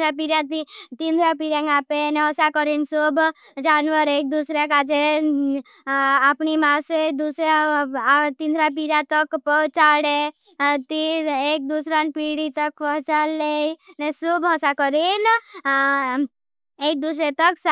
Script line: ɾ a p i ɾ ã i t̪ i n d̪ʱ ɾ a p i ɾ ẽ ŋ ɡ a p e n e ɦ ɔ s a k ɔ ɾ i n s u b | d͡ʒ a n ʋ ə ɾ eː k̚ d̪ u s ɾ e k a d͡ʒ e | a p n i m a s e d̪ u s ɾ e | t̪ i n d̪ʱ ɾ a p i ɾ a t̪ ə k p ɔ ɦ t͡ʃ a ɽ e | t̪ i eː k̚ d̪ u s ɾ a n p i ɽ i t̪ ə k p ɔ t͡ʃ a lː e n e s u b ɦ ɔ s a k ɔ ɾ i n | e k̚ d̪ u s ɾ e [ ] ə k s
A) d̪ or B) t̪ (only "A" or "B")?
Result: B